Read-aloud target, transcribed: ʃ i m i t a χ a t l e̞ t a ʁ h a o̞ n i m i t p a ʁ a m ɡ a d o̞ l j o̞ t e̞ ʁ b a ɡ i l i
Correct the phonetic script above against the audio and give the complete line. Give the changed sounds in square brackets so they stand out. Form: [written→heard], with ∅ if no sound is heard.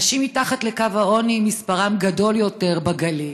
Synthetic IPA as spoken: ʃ i m i t a χ a t l e̞ [t→k] a [ʁ→v] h a o̞ n i m i [t→s] p a ʁ a m ɡ a d o̞ l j o̞ t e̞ ʁ b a ɡ [i→a] l i